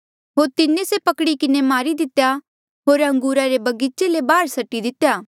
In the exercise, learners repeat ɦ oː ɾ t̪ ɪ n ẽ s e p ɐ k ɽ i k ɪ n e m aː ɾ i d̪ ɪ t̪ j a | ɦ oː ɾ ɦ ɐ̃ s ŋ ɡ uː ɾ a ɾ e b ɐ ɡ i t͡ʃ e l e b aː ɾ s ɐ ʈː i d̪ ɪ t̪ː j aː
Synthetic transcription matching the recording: ɦ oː ɾ t̪ ɪ n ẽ s e p ɐ k ɽ i k ɪ n e m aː ɾ i d̪ ɪ t̪ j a | ɦ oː ɾ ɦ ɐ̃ ŋ ɡ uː ɾ a ɾ e b ɐ ɡ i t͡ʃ e l e b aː ɾ s ɐ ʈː i d̪ ɪ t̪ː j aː